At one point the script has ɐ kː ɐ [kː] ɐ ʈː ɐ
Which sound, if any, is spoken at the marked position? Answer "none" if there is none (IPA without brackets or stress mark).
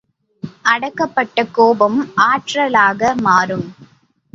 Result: pː